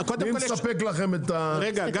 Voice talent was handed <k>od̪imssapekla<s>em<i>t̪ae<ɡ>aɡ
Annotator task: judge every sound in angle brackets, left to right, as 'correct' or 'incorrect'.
correct, incorrect, incorrect, correct

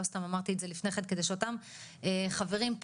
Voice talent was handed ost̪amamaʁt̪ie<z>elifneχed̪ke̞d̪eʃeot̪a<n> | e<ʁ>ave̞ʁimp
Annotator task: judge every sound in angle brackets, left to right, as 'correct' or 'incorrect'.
correct, incorrect, incorrect

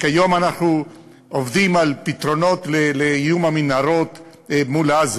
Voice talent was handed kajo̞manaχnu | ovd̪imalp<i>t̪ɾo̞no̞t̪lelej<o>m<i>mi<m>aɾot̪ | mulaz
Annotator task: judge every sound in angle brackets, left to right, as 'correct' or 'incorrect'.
correct, incorrect, incorrect, incorrect

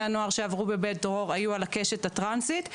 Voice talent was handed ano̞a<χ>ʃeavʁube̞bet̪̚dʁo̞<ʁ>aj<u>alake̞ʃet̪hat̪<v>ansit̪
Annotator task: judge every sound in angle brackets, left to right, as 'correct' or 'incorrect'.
incorrect, correct, correct, incorrect

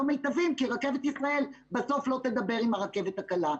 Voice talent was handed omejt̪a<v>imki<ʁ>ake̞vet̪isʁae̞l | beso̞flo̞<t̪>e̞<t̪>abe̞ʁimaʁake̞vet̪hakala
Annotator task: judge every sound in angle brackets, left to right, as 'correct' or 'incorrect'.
correct, correct, correct, incorrect

